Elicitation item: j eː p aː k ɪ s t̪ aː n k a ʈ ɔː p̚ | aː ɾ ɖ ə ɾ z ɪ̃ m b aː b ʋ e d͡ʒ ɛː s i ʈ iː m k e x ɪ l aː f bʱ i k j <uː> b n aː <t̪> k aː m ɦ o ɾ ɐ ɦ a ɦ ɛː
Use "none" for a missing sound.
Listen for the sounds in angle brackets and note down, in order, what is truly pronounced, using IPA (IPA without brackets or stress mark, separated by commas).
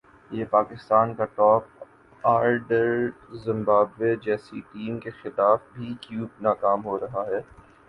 uː, none